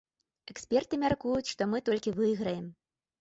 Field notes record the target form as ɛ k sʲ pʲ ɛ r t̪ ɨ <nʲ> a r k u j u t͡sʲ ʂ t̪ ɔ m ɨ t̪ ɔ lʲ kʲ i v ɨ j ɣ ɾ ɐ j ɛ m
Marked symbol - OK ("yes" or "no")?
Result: no